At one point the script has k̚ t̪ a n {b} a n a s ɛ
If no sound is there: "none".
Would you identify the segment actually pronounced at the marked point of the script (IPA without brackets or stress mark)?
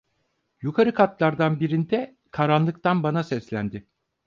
b